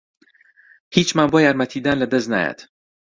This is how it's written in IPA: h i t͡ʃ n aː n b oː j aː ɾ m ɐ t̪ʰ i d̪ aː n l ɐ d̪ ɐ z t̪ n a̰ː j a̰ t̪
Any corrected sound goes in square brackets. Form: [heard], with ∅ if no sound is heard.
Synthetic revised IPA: h i t͡ʃ [m] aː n b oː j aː ɾ m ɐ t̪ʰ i d̪ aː n l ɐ d̪ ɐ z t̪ n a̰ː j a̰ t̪